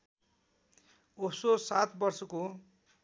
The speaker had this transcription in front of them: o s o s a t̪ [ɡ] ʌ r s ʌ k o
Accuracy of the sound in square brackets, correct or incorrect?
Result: incorrect